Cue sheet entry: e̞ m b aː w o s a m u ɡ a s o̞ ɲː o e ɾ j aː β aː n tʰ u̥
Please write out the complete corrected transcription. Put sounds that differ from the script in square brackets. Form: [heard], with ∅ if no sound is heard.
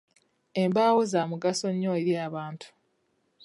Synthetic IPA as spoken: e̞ m b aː w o [z] a m u ɡ a s o̞ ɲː o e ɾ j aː β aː n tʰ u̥